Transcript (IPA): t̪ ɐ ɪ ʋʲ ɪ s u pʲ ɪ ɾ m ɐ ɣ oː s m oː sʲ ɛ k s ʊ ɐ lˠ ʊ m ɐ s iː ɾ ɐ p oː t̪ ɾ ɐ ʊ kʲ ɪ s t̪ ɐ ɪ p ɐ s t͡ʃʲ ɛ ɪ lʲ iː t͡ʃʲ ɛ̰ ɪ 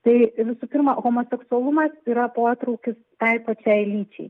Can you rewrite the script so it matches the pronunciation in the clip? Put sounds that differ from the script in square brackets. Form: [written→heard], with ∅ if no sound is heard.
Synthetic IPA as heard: t̪ ɐ ɪ ʋʲ ɪ s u pʲ ɪ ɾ m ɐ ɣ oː [s→∅] m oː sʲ ɛ k s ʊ ɐ lˠ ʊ m ɐ s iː ɾ ɐ p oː t̪ ɾ ɐ ʊ kʲ ɪ s t̪ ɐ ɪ p ɐ [s→∅] t͡ʃʲ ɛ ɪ lʲ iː t͡ʃʲ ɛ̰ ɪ